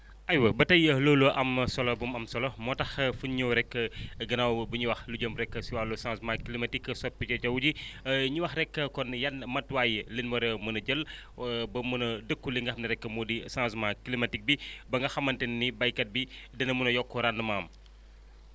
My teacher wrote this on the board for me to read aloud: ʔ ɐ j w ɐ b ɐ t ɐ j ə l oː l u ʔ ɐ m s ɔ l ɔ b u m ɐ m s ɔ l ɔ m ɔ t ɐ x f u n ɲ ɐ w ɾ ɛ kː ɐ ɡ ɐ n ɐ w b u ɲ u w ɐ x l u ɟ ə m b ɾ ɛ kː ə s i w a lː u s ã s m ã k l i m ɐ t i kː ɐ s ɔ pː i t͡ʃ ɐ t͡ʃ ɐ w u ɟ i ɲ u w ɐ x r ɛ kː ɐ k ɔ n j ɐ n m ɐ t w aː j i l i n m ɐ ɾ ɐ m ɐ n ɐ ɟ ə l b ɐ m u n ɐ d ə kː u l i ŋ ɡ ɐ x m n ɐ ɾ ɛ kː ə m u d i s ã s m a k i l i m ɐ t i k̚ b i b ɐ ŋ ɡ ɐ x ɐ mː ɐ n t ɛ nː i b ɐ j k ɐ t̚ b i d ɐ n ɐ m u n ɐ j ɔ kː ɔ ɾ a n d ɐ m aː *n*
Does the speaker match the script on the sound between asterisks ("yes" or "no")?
no